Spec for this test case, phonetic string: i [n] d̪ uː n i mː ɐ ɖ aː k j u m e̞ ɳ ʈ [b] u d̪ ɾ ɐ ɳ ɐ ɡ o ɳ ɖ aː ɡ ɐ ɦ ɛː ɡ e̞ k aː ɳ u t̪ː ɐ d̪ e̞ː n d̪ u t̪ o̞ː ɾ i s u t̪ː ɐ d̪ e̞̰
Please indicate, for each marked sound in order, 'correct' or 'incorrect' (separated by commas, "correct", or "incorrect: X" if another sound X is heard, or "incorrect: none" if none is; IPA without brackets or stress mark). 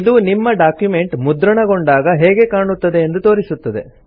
incorrect: none, incorrect: m